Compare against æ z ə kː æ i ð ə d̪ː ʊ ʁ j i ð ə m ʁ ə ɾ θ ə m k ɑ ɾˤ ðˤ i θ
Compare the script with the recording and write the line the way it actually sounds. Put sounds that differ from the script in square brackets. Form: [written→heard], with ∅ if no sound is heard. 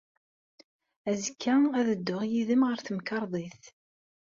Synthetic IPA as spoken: æ z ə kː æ [i→æ] ð ə d̪ː ʊ ʁ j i ð ə m ʁ ə ɾ θ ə m k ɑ ɾˤ ðˤ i θ